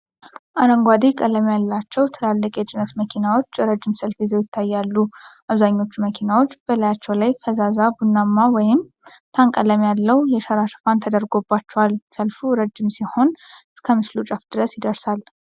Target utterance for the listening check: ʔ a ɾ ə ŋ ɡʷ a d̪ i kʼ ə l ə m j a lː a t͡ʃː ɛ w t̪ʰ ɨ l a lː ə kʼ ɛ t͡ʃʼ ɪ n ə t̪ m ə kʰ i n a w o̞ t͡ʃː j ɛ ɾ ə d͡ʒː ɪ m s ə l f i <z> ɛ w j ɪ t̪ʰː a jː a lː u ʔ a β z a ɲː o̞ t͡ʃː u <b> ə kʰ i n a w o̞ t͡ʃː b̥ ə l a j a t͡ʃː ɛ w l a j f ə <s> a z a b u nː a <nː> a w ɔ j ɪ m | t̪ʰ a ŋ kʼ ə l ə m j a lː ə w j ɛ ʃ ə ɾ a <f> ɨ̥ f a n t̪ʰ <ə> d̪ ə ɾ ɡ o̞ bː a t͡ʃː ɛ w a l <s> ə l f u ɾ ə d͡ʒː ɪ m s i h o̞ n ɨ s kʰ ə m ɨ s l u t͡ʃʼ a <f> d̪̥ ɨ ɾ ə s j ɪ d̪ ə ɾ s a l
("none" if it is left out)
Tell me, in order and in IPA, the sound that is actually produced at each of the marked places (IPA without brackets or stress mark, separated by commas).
z, m, z, mː, ʃ, ə, s, f